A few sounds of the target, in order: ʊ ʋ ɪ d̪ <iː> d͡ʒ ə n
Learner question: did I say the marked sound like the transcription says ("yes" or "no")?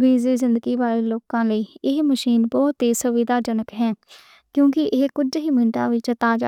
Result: no